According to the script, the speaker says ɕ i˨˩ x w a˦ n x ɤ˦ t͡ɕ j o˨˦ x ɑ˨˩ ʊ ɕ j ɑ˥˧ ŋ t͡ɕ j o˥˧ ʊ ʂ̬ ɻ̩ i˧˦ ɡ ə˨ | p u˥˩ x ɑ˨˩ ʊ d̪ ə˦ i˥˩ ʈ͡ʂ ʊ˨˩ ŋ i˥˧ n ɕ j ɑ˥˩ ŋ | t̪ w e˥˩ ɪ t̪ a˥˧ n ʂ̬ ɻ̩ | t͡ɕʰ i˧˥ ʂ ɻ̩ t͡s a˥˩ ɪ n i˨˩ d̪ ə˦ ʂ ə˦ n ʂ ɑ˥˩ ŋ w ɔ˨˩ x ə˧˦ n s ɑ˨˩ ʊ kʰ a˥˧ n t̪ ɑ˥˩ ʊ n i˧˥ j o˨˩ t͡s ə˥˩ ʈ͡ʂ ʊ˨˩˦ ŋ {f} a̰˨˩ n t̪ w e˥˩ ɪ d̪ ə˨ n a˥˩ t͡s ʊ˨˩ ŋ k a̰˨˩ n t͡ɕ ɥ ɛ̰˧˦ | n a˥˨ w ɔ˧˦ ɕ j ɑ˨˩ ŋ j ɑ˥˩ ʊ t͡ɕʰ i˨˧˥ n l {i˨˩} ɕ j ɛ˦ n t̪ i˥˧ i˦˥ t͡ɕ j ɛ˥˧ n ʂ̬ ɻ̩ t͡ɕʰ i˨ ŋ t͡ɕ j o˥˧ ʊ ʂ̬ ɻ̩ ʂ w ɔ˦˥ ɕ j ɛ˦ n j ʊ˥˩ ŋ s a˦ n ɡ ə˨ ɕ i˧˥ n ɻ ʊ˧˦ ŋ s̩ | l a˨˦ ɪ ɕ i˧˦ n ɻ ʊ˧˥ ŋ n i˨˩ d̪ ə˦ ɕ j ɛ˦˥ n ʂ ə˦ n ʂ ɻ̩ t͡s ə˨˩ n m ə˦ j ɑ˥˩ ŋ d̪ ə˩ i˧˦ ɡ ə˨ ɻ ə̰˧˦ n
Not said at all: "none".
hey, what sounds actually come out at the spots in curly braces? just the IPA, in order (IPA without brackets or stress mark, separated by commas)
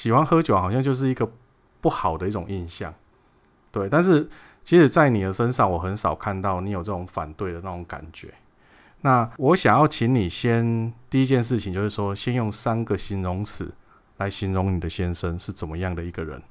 f, i˨˩